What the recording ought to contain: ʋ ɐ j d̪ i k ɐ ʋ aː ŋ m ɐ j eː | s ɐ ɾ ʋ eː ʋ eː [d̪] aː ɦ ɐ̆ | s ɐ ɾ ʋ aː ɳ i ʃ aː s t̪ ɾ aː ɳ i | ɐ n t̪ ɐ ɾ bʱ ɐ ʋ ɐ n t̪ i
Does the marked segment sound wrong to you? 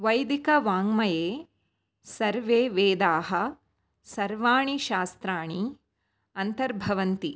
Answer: no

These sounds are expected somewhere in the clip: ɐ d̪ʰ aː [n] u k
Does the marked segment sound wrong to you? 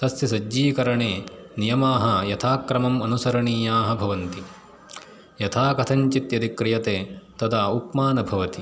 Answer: yes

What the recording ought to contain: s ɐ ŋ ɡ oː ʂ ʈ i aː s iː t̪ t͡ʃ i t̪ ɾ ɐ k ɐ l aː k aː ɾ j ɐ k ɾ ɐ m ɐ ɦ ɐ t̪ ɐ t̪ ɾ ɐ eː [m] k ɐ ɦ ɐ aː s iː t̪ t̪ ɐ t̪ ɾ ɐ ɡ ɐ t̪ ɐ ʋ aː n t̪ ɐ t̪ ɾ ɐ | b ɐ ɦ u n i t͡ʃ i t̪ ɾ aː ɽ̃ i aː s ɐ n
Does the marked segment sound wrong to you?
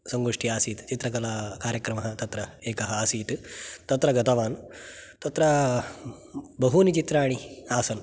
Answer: yes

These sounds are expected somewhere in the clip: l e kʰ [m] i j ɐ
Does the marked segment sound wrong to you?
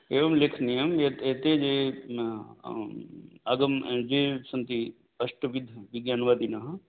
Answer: yes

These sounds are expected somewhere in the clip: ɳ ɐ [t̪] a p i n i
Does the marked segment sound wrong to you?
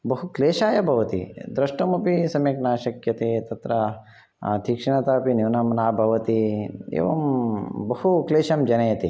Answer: no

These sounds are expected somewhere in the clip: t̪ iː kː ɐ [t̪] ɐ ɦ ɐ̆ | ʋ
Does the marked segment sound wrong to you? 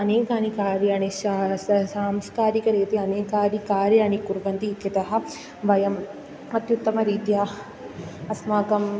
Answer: no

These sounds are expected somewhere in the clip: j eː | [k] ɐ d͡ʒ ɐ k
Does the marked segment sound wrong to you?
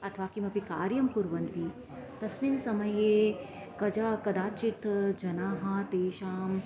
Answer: no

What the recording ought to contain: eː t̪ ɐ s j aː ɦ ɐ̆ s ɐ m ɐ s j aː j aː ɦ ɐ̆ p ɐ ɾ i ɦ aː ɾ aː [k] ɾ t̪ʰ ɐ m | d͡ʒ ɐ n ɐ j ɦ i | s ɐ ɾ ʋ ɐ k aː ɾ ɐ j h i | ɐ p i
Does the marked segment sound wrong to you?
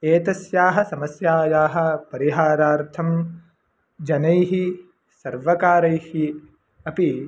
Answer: yes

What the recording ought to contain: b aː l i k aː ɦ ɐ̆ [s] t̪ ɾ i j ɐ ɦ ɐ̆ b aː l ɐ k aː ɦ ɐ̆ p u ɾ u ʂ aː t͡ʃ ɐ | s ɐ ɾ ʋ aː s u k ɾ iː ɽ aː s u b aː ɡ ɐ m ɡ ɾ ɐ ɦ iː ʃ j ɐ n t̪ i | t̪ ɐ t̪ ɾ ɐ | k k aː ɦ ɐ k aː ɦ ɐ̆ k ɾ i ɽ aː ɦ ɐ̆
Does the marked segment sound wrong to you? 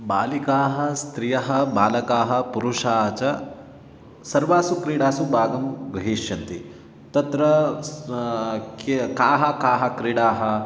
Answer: no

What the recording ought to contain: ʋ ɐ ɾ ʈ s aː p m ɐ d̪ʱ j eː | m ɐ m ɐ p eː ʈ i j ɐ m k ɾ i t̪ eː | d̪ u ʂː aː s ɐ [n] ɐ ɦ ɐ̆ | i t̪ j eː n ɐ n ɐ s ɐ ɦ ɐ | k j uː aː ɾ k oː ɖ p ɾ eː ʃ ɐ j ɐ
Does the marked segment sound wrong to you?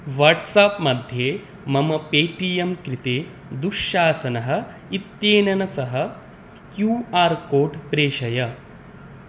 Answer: no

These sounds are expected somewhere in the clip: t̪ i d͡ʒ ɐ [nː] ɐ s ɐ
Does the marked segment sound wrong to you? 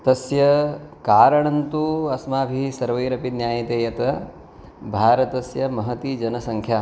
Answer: yes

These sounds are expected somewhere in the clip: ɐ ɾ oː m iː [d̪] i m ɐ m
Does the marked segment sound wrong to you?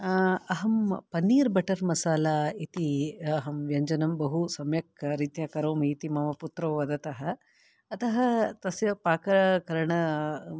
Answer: yes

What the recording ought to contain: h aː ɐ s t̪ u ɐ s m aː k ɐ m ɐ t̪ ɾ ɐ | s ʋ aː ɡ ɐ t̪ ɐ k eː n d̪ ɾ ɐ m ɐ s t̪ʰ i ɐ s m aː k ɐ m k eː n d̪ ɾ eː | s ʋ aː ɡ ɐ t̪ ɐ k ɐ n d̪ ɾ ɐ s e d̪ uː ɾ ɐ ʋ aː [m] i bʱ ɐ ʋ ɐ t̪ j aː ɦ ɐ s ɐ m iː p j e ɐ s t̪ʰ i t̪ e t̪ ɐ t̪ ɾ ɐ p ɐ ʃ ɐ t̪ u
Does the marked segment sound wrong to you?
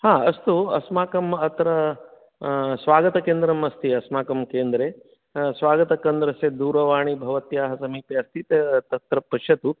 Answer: yes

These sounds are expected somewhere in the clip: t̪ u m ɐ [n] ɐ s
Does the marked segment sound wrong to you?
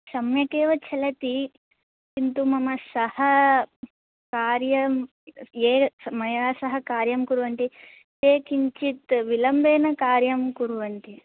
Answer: yes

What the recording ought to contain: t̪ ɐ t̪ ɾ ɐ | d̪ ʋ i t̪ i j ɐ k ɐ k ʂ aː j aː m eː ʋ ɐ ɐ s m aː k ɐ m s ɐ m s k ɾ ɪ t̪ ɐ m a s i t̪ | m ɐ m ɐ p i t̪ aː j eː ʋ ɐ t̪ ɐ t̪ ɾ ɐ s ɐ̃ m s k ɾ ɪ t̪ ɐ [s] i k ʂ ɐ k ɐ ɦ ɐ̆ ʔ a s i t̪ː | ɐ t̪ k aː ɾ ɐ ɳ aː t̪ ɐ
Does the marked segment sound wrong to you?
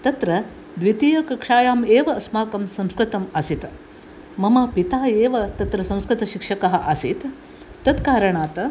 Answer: yes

